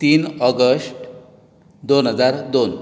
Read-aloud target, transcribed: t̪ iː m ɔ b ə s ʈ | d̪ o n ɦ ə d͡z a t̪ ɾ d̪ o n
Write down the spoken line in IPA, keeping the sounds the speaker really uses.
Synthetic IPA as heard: t̪ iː n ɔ ɡ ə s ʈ | d̪ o n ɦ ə d͡z a ɾ d̪ o n

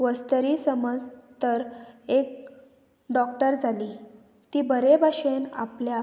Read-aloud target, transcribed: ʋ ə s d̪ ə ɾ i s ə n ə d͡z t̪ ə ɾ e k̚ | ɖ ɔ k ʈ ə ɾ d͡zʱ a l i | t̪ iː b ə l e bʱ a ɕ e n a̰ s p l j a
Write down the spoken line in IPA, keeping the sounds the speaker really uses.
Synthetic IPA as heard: ʋ ə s t̪ ə ɾ i s ə m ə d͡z t̪ ə ɾ e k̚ | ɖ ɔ k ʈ ə ɾ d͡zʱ a l i | t̪ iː b ə ɾ e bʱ a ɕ e n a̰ p l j a

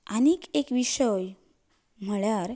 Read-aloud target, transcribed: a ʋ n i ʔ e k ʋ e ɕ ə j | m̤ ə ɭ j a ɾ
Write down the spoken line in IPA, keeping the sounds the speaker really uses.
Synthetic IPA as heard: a n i k e k ʋ i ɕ ə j | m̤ ə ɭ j a ɾ

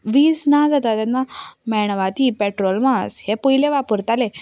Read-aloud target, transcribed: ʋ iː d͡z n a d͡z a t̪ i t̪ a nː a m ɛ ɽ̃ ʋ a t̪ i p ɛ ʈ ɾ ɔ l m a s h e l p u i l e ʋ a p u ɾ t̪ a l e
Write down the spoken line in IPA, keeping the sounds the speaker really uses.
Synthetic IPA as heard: ʋ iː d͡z n a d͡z a t̪ a t̪ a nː a m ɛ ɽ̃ ʋ a t̪ i p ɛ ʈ ɾ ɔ l m a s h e p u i l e ʋ a p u ɾ t̪ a l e

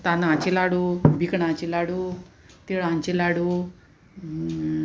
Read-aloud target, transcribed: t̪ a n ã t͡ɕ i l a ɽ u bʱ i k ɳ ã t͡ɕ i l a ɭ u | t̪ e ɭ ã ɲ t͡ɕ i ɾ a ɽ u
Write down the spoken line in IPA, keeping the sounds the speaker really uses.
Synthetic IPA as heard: t̪ a n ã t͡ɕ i l a ɽ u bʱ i k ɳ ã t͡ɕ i l a ɽ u | t̪ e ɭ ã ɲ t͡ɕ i l a ɽ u

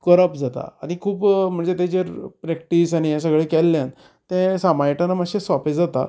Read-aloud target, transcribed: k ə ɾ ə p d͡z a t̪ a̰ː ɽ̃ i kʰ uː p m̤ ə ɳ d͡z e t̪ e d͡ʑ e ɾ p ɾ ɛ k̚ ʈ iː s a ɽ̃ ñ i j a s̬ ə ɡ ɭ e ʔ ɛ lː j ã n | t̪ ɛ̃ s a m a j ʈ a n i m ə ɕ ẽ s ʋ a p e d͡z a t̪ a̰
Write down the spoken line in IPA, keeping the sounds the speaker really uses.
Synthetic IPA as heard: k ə ɾ ə p d͡z a t̪ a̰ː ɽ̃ i kʰ uː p m̤ ə ɳ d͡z e t̪ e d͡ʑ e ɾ p ɾ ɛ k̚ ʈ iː s a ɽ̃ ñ i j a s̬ ə ɡ ɭ e k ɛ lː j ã n | t̪ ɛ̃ s a m a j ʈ a n a m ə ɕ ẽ s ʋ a p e d͡z a t̪ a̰

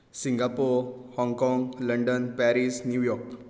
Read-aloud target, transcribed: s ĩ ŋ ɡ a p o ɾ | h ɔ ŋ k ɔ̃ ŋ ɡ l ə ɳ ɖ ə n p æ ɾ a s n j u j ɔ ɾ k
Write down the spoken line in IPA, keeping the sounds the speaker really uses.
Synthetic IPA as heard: s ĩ ŋ ɡ a p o ɾ | h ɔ ŋ k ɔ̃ ŋ ɡ l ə ɳ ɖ ə n p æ ɾ i s n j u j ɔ ɾ k

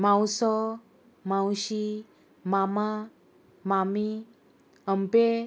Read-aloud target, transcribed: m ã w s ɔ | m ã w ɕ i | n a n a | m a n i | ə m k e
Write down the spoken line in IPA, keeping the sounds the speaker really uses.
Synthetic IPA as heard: m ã w s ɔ | m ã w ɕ i | m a m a | m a m i | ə m p e

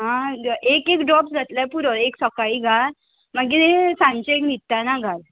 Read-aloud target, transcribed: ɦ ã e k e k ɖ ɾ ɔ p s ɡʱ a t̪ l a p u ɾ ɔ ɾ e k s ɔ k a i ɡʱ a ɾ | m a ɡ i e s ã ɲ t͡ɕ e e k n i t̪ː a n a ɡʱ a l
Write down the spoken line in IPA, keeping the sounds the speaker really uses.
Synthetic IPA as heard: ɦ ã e k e k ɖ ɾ ɔ p s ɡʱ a t̪ l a p u ɾ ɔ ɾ e k s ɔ k a i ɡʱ a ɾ | m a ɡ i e s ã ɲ t͡ɕ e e k n i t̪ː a n a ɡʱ a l

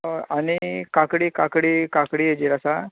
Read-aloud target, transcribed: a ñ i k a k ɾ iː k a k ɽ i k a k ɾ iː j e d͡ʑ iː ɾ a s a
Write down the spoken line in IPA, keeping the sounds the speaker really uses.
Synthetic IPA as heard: a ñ i k a k ɽ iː k a k ɽ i k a k ɽ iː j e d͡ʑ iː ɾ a s a

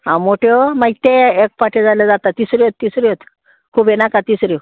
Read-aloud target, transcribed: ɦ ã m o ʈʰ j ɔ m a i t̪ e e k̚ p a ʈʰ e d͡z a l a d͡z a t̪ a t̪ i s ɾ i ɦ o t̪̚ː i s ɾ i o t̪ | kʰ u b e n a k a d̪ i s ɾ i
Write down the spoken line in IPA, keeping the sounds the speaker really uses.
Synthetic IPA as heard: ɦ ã m o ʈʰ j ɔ m a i t̪ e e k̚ p a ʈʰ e d͡z a l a d͡z a t̪ a t̪ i s ɾ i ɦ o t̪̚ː i s ɾ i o t̪ | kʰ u b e n a k a t̪ i s ɾ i

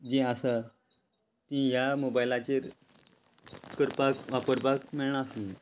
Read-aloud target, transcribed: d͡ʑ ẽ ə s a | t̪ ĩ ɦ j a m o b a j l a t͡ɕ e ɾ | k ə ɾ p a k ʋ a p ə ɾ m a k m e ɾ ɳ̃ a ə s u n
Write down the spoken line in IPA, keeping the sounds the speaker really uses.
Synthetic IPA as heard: d͡ʑ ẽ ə s a | t̪ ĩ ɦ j a m o b a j l a t͡ɕ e ɾ | k ə ɾ p a k ʋ a p ə ɾ b a k m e ɭ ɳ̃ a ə s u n

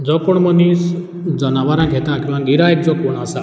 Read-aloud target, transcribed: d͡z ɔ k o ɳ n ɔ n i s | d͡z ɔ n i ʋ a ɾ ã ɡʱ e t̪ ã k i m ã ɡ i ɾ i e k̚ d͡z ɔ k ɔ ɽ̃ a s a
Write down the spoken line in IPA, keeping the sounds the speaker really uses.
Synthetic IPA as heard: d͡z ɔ k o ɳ m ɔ n i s | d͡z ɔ n a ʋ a ɾ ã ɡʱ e t̪ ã k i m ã ɡ i ɾ a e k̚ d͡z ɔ k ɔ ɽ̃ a s a

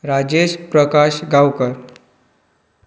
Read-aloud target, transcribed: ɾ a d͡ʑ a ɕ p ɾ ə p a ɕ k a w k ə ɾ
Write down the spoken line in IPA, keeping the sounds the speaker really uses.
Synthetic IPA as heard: ɾ a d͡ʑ e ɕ p ɾ ə k a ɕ ɡ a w k ə ɾ

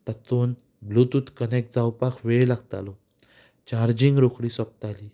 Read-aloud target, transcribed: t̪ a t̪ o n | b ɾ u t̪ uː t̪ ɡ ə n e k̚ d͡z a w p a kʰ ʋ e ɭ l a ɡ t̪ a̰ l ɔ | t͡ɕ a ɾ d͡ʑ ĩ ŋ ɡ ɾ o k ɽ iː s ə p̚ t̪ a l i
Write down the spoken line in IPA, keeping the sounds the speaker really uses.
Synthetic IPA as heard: t̪ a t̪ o n | b l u t̪ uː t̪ k ə n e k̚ d͡z a w p a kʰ ʋ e ɭ l a ɡ t̪ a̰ l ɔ | t͡ɕ a ɾ d͡ʑ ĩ ŋ ɡ ɾ o k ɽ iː s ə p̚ t̪ a l i

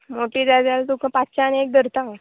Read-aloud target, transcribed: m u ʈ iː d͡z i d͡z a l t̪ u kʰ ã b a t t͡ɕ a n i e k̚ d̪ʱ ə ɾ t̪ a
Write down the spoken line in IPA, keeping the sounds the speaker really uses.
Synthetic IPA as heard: m o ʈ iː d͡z a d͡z a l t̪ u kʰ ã p a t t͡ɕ a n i e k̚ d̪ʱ ə ɾ t̪ a

